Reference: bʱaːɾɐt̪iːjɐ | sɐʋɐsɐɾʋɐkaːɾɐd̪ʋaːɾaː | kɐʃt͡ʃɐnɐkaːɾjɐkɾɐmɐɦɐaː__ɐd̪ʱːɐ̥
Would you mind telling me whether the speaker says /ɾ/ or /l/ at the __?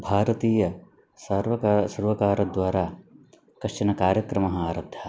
ɾ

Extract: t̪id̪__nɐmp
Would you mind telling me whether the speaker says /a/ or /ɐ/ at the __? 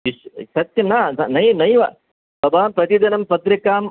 ɐ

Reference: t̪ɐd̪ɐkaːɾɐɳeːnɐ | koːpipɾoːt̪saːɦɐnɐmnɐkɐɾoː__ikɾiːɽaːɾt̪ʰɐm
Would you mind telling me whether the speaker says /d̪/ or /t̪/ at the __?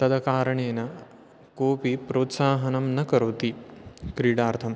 t̪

